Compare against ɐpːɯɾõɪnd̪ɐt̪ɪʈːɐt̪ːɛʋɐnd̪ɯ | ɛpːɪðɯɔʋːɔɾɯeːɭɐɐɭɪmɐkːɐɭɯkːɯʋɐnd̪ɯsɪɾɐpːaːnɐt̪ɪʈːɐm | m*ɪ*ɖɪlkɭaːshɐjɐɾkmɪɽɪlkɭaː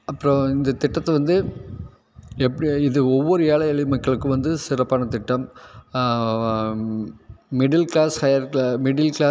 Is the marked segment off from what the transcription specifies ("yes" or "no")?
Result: no